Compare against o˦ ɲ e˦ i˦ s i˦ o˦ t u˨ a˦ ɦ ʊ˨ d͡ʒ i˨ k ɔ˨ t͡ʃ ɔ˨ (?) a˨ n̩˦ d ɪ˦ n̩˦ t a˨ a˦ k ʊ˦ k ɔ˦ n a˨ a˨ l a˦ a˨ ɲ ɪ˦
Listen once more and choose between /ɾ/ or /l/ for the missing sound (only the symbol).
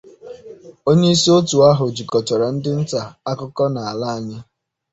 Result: ɾ